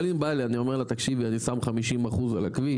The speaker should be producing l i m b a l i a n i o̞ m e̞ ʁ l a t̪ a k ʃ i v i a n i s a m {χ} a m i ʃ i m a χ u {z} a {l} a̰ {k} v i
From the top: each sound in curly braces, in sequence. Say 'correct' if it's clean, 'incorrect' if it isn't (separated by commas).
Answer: correct, correct, correct, correct